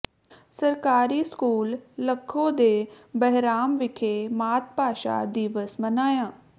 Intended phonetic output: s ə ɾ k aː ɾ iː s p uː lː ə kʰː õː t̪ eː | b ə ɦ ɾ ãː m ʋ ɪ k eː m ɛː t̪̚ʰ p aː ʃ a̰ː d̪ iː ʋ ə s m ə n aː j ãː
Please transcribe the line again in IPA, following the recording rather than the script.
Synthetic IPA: s ə ɾ k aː ɾ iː s k uː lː ə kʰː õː d̪ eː | b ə ɦ ɾ aː m ʋ ɪ kʰ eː m aː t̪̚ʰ p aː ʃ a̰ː d̪ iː ʋ ə s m ə n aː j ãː